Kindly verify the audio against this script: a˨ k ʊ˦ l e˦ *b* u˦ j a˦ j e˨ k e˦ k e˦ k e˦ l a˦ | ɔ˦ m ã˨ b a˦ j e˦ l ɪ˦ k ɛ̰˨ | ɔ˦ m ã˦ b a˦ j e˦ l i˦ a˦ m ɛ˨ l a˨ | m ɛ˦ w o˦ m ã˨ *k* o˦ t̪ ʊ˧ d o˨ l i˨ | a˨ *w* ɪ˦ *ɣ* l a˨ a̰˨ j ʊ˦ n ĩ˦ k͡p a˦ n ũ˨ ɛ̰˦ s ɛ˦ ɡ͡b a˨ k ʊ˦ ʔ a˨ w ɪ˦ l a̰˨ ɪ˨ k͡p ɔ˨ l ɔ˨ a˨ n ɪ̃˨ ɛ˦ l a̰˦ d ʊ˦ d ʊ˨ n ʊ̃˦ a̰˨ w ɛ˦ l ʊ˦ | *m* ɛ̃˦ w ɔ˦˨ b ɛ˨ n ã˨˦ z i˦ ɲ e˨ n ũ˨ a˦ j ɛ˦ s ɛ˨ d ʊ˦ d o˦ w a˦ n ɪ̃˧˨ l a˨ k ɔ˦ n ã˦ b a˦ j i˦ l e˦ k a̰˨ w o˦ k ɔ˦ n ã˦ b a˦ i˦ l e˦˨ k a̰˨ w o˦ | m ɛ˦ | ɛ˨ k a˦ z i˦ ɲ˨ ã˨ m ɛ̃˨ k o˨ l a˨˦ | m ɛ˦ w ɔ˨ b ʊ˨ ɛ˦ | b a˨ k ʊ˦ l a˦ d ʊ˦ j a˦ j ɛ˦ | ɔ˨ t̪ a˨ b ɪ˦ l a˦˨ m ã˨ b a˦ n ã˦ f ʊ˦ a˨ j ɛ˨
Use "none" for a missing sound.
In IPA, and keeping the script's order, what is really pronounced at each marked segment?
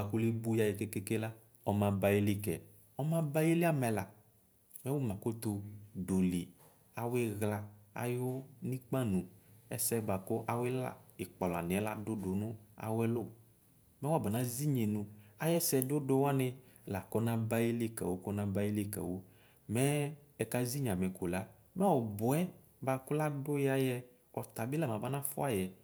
b, k, w, ɣ, m

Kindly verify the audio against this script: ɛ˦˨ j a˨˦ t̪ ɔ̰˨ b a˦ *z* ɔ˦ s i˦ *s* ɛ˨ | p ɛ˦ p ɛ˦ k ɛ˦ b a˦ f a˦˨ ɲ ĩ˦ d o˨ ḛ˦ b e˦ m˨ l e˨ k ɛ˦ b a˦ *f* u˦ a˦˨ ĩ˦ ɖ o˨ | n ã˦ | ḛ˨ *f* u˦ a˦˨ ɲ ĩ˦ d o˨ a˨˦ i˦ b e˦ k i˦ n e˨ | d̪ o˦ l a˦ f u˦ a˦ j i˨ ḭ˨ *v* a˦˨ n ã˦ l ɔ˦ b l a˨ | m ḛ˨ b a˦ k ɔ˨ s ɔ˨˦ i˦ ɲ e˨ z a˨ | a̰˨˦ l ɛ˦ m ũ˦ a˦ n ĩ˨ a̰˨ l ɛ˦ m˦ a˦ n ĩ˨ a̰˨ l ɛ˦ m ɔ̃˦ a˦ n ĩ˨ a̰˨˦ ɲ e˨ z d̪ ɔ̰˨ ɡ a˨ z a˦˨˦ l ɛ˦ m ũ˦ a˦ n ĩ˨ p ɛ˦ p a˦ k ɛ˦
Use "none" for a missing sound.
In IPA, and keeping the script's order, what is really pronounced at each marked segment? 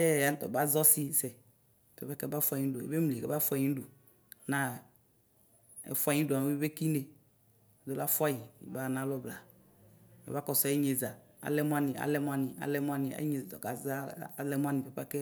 z, s, f, f, b

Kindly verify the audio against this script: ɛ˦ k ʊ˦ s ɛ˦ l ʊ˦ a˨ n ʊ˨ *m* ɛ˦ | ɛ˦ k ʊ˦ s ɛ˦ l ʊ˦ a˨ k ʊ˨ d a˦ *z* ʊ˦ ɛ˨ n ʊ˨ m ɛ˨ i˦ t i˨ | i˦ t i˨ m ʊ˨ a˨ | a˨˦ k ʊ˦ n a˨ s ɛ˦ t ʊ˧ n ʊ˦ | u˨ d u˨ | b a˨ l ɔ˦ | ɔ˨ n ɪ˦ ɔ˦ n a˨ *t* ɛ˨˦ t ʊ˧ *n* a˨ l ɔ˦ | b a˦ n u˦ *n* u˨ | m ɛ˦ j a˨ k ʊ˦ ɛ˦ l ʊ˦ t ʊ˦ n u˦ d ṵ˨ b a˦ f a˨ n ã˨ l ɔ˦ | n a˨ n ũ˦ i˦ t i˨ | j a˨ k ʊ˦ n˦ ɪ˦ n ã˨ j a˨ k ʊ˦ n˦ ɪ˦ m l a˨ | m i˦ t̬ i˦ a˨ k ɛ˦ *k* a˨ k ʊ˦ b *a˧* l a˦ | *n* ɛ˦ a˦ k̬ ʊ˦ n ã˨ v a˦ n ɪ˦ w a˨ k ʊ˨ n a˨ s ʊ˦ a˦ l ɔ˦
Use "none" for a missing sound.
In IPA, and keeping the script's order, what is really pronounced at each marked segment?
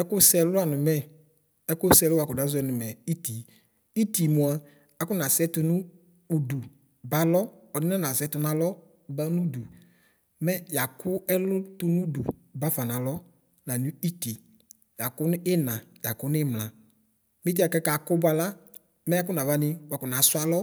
m, z, s, n, d, k, a˧, m

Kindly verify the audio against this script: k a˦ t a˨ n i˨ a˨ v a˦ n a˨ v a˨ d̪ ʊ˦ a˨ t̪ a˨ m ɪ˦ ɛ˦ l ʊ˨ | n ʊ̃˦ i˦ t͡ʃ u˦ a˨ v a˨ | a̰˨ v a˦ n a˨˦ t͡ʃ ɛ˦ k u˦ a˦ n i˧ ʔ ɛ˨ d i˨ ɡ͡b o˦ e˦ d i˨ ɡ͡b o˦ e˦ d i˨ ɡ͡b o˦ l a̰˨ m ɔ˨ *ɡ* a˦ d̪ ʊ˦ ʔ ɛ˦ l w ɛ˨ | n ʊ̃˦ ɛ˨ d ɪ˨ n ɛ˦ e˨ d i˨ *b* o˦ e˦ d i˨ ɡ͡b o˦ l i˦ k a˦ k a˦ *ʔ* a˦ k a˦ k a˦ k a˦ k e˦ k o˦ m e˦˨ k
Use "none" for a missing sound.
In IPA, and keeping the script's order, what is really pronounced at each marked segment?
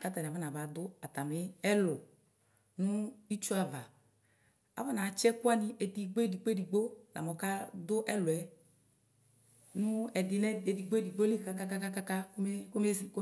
k, ɡ͡b, k

